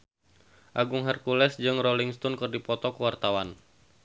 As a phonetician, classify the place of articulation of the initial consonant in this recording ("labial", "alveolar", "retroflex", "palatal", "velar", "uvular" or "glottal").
glottal